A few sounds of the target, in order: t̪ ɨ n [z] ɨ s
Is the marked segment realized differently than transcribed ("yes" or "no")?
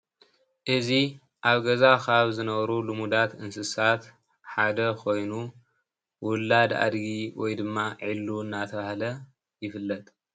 yes